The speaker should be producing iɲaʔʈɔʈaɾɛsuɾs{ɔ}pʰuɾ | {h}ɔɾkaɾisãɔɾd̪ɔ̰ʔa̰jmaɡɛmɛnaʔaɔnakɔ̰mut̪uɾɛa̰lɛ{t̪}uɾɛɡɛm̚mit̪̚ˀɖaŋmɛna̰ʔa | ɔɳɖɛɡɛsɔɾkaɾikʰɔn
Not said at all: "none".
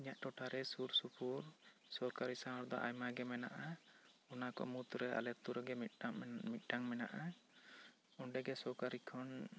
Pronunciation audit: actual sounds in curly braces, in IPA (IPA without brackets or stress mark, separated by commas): u, s, t̪